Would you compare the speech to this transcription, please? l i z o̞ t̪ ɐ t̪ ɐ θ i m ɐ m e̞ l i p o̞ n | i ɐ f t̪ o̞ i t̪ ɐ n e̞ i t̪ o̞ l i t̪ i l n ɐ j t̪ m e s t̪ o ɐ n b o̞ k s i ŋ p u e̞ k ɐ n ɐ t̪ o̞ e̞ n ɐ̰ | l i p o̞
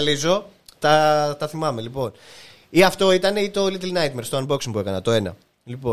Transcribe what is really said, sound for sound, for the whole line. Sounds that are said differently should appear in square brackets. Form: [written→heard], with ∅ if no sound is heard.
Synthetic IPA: l i z o̞ t̪ ɐ t̪ ɐ θ i m ɐ m e̞ l i p o̞ n | i ɐ f t̪ o̞ i t̪ ɐ n e̞ i t̪ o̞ l i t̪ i l n ɐ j t̪ m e s t̪ o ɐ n b o̞ k s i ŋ p u e̞ k ɐ n ɐ t̪ o̞ e̞ n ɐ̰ | l i p o̞